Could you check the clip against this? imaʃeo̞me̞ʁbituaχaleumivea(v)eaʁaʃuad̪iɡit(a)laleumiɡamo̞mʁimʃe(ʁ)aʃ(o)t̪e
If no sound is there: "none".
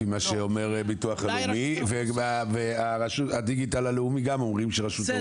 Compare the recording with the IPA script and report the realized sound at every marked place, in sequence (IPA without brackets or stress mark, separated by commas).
v, a, ʁ, u